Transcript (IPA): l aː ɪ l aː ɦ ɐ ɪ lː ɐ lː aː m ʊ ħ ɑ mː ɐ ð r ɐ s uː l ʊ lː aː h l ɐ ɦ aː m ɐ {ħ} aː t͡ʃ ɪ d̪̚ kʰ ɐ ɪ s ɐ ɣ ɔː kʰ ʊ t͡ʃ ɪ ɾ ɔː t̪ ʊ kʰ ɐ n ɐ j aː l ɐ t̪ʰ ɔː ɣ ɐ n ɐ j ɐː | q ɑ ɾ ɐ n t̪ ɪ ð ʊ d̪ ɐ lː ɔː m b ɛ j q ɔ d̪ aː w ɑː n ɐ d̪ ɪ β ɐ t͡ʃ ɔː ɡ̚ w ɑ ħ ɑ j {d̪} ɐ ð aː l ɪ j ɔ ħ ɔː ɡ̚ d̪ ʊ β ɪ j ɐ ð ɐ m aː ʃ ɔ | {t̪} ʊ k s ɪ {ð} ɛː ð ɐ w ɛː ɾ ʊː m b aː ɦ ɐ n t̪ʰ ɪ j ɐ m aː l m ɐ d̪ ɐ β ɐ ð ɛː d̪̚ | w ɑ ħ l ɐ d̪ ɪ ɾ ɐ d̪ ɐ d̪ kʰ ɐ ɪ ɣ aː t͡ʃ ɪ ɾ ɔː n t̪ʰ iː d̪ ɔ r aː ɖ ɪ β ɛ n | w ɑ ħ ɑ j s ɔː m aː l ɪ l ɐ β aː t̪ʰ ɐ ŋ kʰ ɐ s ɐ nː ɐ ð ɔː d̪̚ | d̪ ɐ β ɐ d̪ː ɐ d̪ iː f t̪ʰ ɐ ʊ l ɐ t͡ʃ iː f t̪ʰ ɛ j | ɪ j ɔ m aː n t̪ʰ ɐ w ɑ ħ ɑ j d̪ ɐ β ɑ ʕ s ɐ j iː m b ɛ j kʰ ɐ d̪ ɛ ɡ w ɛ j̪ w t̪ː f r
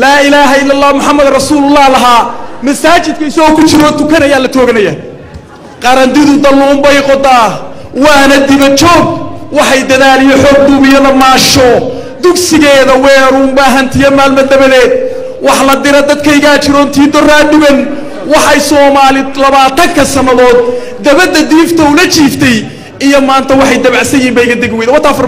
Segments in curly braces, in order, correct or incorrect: incorrect: s, correct, incorrect: d̪, incorrect: ɣ

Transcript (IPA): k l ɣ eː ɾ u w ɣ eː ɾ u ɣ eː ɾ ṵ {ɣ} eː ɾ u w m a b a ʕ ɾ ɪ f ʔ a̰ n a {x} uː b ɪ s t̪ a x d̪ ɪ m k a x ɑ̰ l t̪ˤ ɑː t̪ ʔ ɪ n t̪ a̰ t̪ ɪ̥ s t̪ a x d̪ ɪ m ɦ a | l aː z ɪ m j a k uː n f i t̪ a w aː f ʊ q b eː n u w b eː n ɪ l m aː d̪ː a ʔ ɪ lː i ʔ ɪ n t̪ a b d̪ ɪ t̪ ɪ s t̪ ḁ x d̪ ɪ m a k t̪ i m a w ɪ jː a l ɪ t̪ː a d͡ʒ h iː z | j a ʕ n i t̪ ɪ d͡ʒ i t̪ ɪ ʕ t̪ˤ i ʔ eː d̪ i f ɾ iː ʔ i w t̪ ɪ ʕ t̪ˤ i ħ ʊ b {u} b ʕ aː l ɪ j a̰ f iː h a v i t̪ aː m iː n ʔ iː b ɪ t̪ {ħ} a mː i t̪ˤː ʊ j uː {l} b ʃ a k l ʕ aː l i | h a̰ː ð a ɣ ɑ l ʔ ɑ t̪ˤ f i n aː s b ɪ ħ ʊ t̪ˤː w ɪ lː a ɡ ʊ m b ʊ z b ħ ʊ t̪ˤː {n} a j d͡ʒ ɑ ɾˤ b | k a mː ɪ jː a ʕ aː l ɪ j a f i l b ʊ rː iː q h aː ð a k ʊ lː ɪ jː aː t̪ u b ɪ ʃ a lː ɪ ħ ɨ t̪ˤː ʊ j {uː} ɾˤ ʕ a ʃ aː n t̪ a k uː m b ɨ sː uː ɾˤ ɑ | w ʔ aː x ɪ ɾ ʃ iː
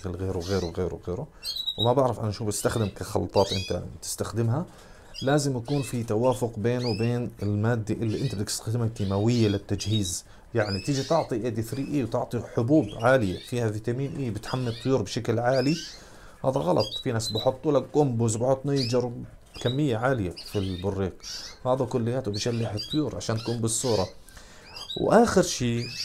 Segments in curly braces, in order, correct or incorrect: correct, incorrect: ʃ, incorrect: uː, correct, incorrect: ɾ, correct, correct

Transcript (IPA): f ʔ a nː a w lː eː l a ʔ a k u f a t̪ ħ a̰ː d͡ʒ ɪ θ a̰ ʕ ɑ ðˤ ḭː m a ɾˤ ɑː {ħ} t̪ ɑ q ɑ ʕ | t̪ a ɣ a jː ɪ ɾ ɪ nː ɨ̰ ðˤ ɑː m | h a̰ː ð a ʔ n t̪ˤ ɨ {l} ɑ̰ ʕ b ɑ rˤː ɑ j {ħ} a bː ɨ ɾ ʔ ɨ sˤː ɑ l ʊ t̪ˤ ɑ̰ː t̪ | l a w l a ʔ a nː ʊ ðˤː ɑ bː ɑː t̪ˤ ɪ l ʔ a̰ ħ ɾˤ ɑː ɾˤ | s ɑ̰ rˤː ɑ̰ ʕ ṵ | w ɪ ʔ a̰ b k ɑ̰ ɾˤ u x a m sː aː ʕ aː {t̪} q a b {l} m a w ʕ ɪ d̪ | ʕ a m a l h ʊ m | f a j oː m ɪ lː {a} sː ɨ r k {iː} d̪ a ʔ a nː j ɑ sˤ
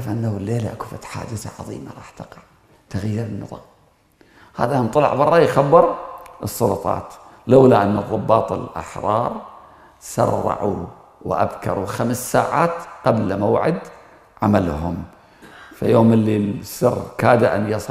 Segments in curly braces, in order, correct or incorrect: correct, correct, incorrect: x, correct, correct, incorrect: i, incorrect: aː

